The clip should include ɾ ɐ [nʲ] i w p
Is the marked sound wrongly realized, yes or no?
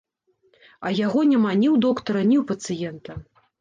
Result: no